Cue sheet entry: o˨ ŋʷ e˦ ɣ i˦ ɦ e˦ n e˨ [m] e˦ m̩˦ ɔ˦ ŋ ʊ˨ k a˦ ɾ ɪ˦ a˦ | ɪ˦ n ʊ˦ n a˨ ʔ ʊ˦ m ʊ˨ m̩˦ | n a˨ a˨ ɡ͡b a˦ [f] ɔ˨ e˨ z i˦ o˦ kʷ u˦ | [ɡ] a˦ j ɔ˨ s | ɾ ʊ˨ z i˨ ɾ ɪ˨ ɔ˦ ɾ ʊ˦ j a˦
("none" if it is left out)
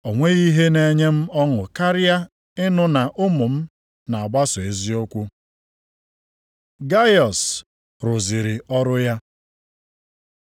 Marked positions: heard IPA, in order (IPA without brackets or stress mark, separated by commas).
ɲ, s, ɡ